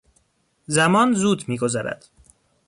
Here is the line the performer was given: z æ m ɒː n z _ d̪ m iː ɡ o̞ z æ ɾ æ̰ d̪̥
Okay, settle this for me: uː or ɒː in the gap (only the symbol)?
uː